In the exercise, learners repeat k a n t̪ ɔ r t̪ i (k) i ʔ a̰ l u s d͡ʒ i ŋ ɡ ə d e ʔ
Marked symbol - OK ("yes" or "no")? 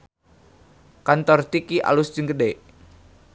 yes